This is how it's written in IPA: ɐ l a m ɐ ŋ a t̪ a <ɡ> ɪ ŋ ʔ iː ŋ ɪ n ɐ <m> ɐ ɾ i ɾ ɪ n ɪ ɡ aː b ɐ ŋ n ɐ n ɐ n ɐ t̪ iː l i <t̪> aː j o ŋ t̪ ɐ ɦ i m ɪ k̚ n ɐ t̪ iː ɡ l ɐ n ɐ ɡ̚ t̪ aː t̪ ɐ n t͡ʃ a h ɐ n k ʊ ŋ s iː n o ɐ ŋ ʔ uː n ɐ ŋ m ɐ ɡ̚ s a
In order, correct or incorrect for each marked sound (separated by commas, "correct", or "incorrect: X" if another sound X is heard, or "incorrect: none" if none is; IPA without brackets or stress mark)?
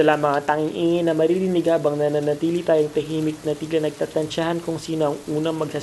incorrect: ŋ, correct, correct